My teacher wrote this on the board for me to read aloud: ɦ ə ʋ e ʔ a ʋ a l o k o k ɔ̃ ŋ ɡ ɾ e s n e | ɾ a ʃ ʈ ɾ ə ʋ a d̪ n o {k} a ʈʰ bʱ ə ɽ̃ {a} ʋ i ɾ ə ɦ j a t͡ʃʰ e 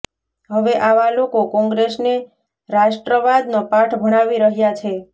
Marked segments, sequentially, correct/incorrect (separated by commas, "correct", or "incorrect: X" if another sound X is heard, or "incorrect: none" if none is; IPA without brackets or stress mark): incorrect: p, correct